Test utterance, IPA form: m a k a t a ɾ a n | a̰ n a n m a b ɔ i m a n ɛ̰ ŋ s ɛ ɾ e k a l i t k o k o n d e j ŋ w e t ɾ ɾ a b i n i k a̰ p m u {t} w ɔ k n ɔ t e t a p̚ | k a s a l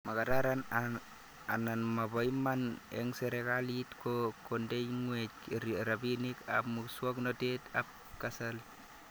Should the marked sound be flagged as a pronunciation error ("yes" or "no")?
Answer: yes